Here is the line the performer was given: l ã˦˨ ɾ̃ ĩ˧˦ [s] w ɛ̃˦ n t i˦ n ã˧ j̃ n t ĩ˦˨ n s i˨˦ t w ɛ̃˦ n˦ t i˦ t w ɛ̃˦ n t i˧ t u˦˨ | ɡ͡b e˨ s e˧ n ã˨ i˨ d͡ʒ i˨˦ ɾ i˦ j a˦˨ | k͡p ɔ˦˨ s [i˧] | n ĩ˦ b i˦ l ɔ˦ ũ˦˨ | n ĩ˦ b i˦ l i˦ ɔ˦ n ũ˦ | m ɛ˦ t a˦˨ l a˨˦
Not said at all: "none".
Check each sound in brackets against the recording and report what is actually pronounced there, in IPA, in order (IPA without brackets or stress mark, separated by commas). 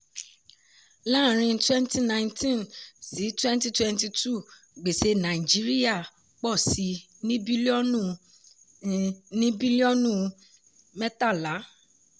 t, i˧